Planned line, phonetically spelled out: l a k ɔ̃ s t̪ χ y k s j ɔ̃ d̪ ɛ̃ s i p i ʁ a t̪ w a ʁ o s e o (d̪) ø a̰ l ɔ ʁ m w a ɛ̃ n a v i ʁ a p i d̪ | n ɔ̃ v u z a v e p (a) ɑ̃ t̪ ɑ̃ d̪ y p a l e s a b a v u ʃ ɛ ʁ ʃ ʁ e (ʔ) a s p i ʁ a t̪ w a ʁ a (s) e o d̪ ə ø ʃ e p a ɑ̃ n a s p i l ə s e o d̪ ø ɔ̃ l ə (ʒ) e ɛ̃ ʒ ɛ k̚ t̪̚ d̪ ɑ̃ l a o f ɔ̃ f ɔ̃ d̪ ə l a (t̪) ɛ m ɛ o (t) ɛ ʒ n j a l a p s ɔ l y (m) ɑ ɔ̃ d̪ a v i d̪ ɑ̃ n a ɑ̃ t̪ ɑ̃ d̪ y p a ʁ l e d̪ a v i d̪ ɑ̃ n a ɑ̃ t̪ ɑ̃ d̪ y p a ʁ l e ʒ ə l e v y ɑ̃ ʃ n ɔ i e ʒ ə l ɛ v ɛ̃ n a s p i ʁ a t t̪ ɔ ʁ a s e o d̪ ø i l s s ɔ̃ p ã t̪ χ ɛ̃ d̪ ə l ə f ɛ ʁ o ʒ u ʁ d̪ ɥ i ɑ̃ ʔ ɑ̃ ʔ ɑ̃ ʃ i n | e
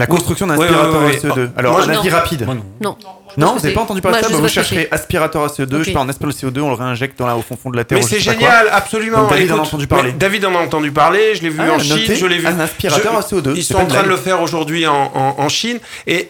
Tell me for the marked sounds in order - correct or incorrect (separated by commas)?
correct, correct, correct, correct, incorrect, correct, incorrect, correct